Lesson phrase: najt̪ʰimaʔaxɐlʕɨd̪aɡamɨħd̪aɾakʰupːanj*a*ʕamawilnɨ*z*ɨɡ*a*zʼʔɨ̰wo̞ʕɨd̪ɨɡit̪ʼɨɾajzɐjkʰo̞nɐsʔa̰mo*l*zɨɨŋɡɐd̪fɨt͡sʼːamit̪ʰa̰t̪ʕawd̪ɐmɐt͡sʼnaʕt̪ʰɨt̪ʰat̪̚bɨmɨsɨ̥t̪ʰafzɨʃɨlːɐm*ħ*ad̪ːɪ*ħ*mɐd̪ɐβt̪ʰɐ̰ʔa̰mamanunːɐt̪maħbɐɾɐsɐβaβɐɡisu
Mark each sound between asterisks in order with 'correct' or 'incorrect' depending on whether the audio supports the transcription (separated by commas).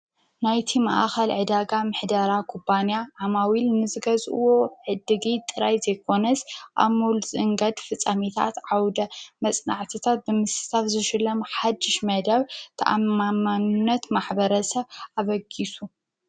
correct, correct, incorrect, correct, correct, incorrect